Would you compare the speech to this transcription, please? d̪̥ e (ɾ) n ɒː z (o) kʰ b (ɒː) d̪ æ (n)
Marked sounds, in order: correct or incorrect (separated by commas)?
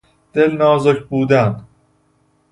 incorrect, correct, incorrect, correct